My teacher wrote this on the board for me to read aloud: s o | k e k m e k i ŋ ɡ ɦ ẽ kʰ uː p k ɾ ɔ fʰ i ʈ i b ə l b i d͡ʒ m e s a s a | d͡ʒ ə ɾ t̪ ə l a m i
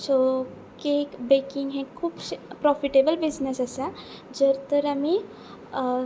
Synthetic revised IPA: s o | k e k b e k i ŋ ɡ ɦ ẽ kʰ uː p p ɾ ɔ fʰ i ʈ e b ə l b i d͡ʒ n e s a s a | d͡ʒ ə ɾ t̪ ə ɾ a m i